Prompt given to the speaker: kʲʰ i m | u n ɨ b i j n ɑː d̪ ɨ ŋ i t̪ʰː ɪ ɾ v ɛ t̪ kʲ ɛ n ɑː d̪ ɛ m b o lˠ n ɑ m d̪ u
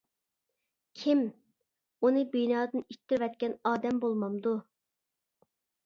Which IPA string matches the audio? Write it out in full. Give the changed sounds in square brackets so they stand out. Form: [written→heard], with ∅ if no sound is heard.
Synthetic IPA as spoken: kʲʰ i m | u n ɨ b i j n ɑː d̪ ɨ [ŋ→n] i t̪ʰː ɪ ɾ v ɛ t̪ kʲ ɛ n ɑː d̪ ɛ m b o lˠ [n→m] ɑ m d̪ u